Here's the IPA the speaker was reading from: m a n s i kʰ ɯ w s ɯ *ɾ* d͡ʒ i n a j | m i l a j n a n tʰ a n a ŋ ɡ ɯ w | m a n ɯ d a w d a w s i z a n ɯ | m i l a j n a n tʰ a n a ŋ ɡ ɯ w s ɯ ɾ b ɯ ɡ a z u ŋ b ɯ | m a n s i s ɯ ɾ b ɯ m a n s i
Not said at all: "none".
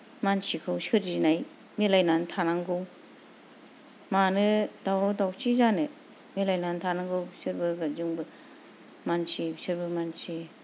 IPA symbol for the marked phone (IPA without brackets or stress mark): ɾ